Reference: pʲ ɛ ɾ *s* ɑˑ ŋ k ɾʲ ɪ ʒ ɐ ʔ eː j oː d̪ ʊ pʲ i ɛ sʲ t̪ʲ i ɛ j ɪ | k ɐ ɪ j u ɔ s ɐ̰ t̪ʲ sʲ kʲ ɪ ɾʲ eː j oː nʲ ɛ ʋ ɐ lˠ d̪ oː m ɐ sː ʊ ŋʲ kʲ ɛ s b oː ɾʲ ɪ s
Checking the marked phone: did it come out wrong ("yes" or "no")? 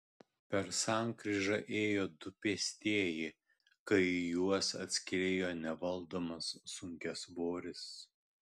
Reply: no